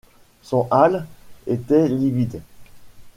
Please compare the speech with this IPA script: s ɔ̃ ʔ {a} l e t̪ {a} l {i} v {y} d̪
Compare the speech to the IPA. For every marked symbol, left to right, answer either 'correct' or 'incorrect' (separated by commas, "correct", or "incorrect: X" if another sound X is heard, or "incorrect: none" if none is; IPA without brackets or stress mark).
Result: correct, incorrect: ɛ, correct, incorrect: i